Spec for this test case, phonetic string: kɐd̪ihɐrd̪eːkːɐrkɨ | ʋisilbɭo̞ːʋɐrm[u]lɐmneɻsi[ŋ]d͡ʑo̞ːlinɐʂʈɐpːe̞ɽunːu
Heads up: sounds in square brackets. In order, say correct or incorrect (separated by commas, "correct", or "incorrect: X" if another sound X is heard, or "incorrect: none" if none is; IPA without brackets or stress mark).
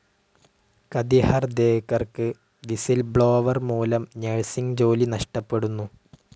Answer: incorrect: uː, correct